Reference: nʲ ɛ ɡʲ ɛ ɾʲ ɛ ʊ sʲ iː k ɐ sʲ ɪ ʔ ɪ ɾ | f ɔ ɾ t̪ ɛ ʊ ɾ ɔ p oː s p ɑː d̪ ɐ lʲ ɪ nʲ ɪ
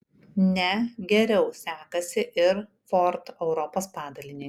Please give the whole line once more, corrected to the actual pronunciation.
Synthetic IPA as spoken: nʲ ɛ ɡʲ ɛ ɾʲ ɛ ʊ sʲ æː k ɐ sʲ ɪ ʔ ɪ ɾ | f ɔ ɾ t̪ ɛ ʊ ɾ ɔ p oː s p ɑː d̪ ɐ lʲ ɪ nʲ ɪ

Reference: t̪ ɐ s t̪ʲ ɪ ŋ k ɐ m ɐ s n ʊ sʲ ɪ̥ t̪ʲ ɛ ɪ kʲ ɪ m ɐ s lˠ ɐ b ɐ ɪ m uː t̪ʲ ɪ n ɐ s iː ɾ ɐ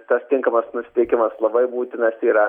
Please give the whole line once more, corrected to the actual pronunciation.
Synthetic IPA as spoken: t̪ ɐ s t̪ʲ ɪ ŋ k ɐ m ɐ s n ʊ sʲ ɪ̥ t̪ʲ ɛ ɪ kʲ ɪ m ɐ s lˠ ɐ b ɐ ɪ b uː t̪ʲ ɪ n ɐ s iː ɾ ɐ

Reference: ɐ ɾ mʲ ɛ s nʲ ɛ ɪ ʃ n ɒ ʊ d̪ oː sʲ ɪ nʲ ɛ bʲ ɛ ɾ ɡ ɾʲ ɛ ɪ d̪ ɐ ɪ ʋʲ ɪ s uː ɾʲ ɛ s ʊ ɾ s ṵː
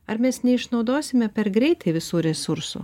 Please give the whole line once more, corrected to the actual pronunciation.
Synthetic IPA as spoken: ɐ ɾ mʲ ɛ s nʲ ɛ ɪ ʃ n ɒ ʊ d̪ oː sʲ ɪ mʲ ɛ pʲ ɛ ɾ ɡ ɾʲ ɛ ɪ t̪ ɐ ɪ ʋʲ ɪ s uː ɾʲ ɛ s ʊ ɾ s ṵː

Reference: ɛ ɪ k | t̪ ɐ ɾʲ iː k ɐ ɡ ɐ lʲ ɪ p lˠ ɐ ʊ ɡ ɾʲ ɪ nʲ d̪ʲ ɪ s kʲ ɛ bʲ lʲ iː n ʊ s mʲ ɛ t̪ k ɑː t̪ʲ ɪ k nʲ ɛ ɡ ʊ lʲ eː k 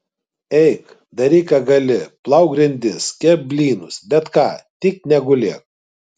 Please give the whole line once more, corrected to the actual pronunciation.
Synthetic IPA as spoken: ɛ ɪ k | d̪ ɐ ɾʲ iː k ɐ ɡ ɐ lʲ ɪ p lˠ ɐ ʊ ɡ ɾʲ ɪ nʲ d̪ʲ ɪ s kʲ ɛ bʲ lʲ iː n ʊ s bʲ ɛ t̪ k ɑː t̪ʲ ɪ k nʲ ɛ ɡ ʊ lʲ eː k

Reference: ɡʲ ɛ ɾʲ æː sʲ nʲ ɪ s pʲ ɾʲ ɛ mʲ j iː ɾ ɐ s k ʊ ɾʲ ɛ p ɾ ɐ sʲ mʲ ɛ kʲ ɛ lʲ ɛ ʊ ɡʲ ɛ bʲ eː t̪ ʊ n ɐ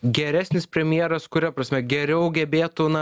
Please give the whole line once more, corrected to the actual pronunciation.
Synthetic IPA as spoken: ɡʲ ɛ ɾʲ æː sʲ nʲ ɪ s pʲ ɾʲ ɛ mʲ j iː ɾ ɐ s k ʊ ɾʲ ɛ p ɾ ɐ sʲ mʲ ɛ ɡʲ ɛ ɾʲ ɛ ʊ ɡʲ ɛ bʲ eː t̪ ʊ n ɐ

